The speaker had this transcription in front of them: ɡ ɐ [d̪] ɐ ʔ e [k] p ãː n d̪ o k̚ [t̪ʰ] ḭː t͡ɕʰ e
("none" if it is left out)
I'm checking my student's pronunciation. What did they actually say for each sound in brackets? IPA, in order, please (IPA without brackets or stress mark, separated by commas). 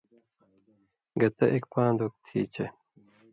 t̪, k, t̪ʰ